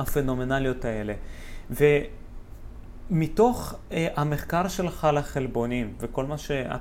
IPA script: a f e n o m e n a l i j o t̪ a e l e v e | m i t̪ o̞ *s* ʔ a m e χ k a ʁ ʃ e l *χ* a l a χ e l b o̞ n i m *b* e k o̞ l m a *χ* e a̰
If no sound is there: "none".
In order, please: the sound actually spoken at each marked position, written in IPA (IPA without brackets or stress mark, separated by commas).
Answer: χ, χ, v, ʃ